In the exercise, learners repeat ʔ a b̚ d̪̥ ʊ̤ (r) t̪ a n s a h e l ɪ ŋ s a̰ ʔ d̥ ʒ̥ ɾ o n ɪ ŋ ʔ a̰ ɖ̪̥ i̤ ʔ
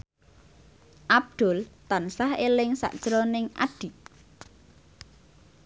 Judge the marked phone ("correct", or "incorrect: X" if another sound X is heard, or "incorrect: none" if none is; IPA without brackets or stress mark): incorrect: l